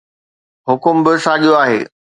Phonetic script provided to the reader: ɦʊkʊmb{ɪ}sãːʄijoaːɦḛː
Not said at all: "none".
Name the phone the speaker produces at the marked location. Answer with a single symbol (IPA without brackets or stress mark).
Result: ɪ